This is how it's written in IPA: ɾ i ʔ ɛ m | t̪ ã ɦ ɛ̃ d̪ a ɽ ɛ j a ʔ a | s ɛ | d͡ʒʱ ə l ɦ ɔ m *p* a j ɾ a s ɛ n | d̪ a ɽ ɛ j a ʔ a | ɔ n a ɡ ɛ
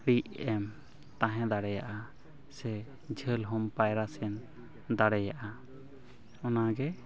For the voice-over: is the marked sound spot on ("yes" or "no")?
yes